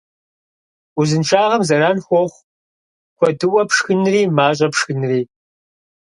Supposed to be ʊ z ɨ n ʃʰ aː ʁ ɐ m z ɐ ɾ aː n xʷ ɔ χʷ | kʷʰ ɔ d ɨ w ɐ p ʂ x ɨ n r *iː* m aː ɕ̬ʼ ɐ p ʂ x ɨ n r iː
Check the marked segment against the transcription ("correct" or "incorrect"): correct